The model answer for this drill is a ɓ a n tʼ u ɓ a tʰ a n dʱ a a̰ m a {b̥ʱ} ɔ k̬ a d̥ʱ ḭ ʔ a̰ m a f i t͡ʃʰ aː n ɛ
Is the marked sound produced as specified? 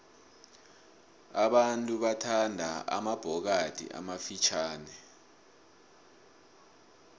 yes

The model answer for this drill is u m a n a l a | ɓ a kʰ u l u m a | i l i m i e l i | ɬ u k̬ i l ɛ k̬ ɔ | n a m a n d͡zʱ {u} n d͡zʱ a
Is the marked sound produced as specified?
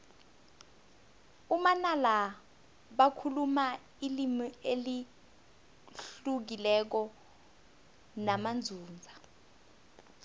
no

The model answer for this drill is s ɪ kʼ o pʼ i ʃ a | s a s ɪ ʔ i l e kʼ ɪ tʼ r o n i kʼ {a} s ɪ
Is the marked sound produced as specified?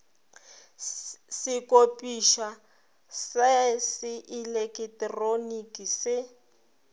no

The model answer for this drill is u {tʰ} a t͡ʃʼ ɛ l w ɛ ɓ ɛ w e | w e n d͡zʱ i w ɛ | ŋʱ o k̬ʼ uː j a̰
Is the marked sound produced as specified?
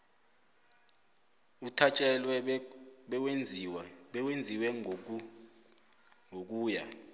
yes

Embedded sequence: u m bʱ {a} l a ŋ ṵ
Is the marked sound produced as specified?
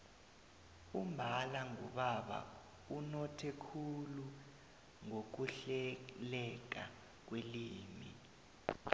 yes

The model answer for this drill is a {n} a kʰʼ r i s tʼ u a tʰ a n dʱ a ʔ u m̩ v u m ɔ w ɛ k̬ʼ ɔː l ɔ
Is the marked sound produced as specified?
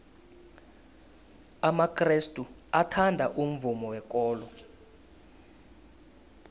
no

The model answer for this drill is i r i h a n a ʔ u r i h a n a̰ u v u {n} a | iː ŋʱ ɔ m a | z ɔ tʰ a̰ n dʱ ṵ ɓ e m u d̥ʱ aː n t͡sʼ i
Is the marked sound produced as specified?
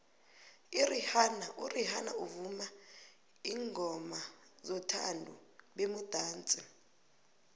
no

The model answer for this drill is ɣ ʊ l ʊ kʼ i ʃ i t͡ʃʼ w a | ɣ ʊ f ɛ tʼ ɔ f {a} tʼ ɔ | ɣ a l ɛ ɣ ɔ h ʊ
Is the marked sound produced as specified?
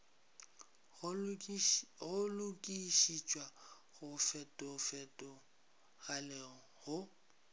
no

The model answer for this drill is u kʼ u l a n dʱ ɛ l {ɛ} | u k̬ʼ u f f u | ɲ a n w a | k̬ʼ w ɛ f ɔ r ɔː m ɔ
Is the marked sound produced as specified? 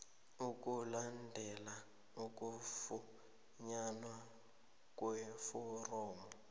no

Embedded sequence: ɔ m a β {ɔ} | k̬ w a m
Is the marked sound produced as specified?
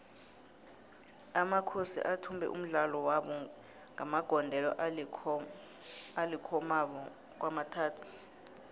yes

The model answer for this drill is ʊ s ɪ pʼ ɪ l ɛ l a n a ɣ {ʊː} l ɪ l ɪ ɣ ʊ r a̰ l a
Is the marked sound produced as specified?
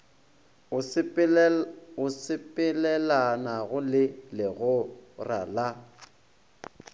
no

